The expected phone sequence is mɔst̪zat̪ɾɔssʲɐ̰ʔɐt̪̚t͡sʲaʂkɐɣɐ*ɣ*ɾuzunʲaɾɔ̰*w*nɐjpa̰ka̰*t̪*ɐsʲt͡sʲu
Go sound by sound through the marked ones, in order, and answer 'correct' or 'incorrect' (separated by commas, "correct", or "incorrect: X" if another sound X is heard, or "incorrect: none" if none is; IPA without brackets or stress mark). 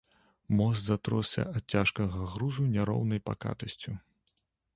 correct, correct, correct